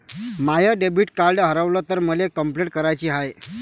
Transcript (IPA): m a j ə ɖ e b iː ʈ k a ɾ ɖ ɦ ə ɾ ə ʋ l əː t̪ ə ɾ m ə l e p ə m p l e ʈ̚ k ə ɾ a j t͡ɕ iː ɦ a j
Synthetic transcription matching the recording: m a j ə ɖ e b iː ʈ k a ɾ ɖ ɦ ə ɾ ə ʋ l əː t̪ ə ɾ m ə l e k ə m p l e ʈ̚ k ə ɾ a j t͡ɕ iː ɦ a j

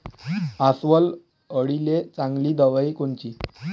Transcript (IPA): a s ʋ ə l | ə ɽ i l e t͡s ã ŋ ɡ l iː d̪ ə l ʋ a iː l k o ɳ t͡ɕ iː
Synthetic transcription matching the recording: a s ʋ ə l | ə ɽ i l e t͡s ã ŋ ɡ l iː d̪ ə ʋ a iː k o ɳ t͡ɕ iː

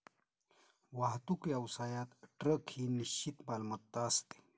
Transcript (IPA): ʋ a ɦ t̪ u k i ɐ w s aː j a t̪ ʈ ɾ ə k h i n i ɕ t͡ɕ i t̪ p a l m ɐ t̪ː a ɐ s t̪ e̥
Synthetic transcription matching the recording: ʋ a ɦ t̪ u k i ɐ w s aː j a t̪ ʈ ɾ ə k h i n i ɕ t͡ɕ i t̪ b a l m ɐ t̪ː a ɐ s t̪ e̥

